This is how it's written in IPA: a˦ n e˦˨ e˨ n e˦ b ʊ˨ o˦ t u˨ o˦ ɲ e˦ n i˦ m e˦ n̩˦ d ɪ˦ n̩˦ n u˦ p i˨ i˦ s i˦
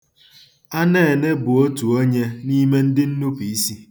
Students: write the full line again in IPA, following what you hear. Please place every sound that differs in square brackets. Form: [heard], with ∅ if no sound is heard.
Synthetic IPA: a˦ n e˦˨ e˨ n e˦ b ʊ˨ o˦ t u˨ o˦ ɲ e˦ n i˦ m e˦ n̩˦ d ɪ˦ n̩˦ n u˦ p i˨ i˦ s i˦